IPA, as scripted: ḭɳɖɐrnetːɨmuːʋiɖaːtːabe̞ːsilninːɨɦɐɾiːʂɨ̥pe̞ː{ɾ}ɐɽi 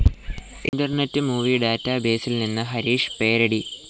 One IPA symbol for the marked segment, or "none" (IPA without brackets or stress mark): ɾ